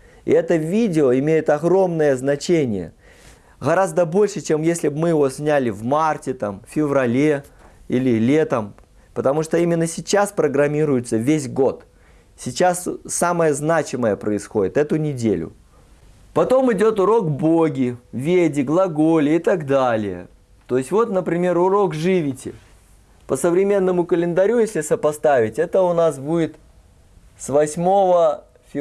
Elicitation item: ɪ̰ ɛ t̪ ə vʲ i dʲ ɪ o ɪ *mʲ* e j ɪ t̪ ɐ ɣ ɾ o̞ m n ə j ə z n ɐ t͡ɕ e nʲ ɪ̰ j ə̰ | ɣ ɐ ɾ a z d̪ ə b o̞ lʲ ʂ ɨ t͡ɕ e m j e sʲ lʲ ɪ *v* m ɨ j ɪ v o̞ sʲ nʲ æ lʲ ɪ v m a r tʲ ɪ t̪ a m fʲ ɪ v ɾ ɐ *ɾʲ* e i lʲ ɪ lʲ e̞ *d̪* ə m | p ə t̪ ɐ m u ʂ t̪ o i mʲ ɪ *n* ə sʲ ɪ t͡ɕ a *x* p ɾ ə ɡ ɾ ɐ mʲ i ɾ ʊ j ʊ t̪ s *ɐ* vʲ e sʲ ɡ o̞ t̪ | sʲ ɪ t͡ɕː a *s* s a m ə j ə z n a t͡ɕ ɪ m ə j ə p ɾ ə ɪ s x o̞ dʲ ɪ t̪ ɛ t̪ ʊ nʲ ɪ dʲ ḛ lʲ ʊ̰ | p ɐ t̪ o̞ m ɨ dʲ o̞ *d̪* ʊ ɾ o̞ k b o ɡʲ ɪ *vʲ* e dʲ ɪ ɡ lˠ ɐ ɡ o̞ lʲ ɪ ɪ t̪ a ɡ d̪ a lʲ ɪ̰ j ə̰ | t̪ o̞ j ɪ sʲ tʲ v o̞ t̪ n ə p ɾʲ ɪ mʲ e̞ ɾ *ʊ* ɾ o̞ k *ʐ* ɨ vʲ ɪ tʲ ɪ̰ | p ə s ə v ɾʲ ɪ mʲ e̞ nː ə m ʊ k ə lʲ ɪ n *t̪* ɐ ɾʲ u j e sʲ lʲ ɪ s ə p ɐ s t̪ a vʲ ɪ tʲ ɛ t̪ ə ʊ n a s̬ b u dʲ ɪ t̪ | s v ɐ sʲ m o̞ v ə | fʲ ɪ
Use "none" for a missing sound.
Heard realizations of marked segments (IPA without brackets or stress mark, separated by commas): mʲ, b, lʲ, t̪, nː, s, ə, s, t̪, vʲ, ʊ, ʐ, d̪